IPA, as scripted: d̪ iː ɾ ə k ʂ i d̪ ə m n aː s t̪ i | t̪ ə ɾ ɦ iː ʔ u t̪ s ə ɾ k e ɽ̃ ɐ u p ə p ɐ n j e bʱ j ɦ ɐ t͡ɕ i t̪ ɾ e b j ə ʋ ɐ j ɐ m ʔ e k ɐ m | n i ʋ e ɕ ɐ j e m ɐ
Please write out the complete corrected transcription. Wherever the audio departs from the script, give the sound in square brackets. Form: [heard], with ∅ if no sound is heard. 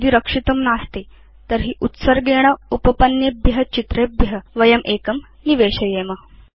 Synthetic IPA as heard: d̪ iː ɾ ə k ʂ i [t̪] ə m n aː s t̪ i | t̪ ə ɾ ɦ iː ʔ u t̪ s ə ɾ [ɡ] e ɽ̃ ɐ u p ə p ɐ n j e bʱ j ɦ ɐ t͡ɕ i t̪ ɾ e b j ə ʋ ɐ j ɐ m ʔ e k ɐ m | n i ʋ e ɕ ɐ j e m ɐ